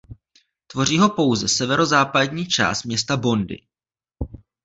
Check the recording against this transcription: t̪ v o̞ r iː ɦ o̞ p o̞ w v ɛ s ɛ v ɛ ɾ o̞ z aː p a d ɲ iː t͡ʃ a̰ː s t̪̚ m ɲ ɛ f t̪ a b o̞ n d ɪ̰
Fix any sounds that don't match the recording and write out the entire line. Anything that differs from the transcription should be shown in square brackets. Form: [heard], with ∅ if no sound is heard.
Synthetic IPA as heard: t̪ v o̞ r iː ɦ o̞ p o̞ w [z] ɛ s ɛ v ɛ ɾ o̞ z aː p a d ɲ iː t͡ʃ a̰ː s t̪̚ m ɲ ɛ [s] t̪ a b o̞ n d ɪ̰